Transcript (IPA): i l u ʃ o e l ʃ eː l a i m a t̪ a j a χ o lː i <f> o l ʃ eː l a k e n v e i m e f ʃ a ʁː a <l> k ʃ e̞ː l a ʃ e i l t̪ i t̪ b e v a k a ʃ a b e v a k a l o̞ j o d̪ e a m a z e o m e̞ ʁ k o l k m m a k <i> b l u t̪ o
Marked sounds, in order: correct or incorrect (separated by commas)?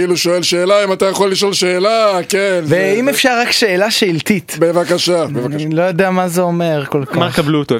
incorrect, incorrect, incorrect